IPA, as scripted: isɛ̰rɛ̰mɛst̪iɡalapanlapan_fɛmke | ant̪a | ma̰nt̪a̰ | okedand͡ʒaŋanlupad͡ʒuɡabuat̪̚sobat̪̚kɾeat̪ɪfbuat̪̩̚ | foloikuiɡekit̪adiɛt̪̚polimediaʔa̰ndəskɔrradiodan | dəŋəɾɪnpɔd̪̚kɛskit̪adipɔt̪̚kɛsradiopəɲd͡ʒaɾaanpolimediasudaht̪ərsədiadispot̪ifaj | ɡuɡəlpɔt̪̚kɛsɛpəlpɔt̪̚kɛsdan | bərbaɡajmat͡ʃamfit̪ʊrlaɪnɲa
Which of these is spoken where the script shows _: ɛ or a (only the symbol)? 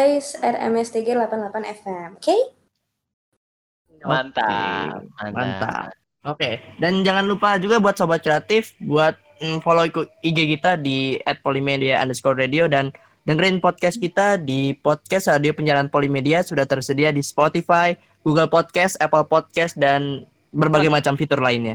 ɛ